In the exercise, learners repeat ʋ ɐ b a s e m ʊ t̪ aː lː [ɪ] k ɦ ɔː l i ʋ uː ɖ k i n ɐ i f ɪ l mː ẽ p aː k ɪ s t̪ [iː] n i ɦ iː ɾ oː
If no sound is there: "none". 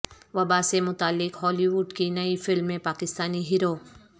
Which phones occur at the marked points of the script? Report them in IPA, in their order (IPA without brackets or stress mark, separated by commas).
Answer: ɪ, aː